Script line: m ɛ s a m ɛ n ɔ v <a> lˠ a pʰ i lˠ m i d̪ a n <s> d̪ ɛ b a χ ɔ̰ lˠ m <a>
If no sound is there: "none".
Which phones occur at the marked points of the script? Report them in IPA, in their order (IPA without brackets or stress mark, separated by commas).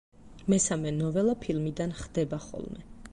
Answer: ɛ, χ, ɛ